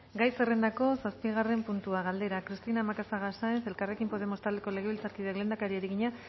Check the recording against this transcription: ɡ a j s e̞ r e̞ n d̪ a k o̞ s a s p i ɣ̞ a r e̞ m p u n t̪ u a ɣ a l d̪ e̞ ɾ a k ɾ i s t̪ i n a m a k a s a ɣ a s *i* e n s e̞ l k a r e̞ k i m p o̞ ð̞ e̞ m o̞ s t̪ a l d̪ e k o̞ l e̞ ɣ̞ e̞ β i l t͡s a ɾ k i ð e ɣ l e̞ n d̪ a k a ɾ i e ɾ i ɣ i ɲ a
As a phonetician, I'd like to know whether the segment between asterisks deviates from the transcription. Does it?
yes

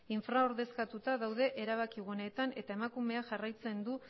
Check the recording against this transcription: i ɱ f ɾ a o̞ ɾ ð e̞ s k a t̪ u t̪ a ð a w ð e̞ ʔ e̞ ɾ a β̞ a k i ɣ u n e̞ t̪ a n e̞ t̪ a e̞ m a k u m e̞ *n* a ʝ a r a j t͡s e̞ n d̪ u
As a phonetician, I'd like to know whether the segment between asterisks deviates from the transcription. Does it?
yes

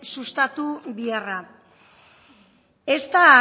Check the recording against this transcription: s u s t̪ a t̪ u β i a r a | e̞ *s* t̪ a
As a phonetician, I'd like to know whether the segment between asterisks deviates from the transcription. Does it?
no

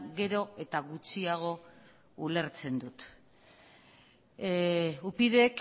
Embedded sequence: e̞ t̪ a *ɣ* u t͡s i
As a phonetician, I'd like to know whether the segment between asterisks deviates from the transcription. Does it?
no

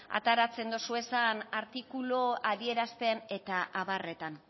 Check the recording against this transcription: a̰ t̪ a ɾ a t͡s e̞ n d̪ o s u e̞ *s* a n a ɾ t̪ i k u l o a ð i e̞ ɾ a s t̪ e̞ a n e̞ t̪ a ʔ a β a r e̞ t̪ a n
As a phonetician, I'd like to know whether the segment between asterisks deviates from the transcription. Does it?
no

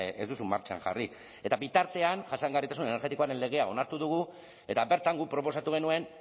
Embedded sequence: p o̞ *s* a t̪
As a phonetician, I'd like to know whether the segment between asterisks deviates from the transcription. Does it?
no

